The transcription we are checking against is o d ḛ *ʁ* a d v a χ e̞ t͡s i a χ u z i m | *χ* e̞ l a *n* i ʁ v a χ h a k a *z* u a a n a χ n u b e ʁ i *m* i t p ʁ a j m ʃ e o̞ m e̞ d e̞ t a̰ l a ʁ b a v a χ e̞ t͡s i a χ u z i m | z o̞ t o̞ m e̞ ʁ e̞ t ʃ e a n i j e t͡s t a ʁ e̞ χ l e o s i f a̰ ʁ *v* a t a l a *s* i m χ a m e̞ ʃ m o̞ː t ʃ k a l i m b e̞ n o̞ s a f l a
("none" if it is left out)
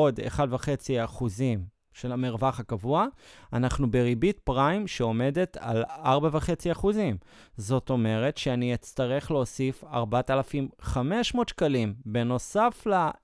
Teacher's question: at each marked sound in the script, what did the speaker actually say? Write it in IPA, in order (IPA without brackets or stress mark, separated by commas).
χ, ʃ, m, v, b, b, f